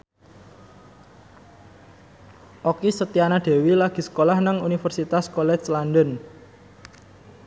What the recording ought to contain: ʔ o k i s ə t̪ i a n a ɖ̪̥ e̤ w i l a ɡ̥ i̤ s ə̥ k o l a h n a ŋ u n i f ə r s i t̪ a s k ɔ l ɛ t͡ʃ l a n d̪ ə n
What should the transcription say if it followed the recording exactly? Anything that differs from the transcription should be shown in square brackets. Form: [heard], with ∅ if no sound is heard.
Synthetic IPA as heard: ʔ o k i s ə t̪ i a n a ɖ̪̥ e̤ w i l a ɡ̥ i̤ s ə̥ k o l a h n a ŋ u n i f ə r s i t̪ a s k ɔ l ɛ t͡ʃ l a n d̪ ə n